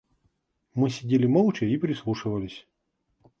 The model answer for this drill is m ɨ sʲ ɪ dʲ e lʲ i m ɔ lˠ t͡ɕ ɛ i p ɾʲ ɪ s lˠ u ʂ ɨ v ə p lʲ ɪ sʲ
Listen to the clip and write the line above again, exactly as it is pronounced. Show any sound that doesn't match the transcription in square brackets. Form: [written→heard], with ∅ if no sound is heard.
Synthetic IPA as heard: m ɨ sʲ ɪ dʲ e lʲ [i→ɪ] m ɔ lˠ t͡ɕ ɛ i p ɾʲ ɪ s lˠ u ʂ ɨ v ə [p→∅] lʲ ɪ sʲ